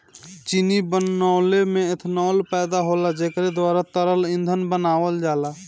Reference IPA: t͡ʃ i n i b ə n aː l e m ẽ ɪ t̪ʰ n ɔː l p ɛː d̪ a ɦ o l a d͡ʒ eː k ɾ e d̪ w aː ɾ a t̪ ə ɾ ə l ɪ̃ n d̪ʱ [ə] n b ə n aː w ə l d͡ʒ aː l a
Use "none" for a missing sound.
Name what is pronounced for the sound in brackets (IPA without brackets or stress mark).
ə